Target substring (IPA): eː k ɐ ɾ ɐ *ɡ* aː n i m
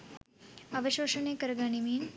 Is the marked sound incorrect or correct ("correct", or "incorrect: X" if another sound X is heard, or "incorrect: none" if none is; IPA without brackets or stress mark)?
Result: correct